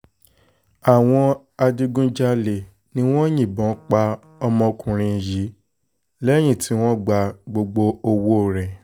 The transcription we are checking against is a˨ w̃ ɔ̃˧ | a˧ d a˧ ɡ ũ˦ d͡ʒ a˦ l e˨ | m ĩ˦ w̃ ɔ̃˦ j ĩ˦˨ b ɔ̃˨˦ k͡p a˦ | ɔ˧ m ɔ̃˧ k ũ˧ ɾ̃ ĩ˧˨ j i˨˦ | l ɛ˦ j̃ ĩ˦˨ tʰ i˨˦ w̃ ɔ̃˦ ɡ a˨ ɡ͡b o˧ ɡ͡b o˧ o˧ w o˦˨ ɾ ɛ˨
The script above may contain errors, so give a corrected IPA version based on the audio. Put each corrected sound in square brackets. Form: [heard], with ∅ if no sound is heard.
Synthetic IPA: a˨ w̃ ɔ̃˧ | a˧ d [i˧] ɡ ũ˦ d͡ʒ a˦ l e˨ | [n] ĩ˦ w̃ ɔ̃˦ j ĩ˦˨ b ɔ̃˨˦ k͡p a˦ | ɔ˧ m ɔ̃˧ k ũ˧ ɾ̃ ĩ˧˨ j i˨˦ | l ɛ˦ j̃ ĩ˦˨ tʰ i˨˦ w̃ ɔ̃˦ [ɡ͡b] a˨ ɡ͡b o˧ ɡ͡b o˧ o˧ w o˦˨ ɾ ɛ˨